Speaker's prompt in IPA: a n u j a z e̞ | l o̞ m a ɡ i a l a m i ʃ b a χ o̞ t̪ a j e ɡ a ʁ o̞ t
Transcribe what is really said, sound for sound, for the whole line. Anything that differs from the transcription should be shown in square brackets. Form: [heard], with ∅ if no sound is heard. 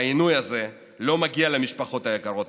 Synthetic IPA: [i] n u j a z e̞ | l o̞ m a ɡ i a l [e] m i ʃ [p] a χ o̞ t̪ a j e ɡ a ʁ o̞ t